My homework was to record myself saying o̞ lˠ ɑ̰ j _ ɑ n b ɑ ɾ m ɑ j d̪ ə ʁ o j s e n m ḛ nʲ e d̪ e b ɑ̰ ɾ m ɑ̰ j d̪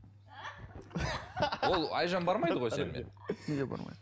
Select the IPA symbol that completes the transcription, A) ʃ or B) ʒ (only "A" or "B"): B